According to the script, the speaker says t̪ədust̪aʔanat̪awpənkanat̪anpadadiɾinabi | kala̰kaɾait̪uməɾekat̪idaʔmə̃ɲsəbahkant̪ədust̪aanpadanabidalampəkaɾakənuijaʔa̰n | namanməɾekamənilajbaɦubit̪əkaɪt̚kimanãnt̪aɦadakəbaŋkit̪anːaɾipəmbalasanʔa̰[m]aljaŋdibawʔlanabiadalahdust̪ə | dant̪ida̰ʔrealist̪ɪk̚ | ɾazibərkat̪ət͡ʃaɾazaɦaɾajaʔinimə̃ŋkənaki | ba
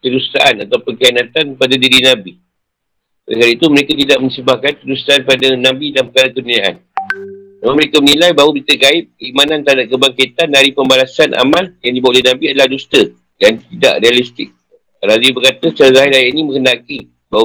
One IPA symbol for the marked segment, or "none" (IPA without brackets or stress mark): m